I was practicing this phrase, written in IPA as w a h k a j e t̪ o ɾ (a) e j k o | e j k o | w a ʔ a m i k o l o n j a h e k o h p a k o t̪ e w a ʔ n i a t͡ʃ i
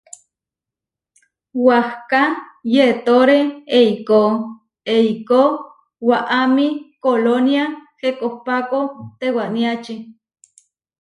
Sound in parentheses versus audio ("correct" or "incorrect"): incorrect